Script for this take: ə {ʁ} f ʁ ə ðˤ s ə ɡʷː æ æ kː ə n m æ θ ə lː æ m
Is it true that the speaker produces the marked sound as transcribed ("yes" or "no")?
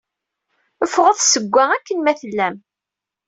no